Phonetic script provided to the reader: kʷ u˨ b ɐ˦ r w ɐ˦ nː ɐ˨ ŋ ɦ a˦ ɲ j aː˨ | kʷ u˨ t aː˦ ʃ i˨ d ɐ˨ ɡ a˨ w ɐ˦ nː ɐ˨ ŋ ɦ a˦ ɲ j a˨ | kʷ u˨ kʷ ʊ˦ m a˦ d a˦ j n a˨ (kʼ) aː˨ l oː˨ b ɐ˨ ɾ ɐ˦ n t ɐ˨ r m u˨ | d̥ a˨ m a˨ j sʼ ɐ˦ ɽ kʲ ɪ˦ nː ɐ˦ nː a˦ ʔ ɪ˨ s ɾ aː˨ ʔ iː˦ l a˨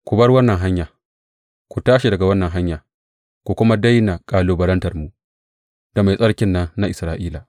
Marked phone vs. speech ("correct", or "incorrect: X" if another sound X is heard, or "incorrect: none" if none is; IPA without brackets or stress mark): correct